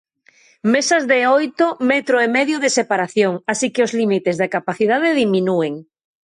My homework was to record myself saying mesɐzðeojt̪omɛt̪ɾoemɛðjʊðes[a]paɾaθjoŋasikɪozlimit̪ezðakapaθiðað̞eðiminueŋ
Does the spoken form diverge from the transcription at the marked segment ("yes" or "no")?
yes